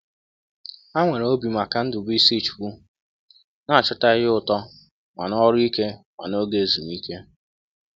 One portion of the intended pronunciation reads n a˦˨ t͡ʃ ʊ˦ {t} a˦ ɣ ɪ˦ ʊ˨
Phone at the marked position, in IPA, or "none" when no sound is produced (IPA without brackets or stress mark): t